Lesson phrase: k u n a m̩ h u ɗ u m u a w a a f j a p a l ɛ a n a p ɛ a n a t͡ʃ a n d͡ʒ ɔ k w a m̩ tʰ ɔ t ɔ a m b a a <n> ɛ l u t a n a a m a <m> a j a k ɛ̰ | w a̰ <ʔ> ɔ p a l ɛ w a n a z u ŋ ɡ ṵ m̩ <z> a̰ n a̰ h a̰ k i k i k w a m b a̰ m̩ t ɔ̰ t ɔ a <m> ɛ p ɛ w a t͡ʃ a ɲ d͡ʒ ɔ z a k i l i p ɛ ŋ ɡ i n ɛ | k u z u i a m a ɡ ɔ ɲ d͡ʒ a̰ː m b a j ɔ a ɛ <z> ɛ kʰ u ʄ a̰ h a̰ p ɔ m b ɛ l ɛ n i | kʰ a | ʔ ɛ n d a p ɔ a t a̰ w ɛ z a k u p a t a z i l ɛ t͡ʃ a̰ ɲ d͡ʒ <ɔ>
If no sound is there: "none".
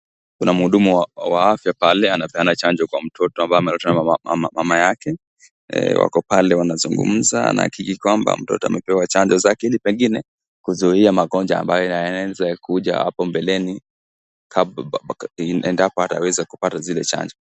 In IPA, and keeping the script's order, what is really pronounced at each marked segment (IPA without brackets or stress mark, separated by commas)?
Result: m, m, k, z, m, z, ɔ